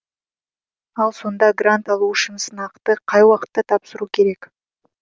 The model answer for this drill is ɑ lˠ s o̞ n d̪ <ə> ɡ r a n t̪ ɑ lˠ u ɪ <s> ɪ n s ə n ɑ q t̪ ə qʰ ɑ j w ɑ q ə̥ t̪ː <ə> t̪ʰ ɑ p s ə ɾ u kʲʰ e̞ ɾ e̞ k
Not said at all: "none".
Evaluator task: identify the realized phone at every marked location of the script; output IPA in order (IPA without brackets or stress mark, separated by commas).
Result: ɑ, ʃ, ɑ